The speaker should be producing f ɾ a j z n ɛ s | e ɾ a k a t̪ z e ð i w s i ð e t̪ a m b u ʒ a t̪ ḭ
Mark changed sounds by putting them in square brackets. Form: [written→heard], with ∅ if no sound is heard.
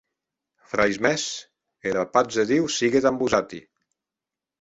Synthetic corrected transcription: f ɾ a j z [n→m] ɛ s | e ɾ a [k→p] a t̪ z e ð i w s i [ð→ɣ] e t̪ a m b u [ʒ→z] a t̪ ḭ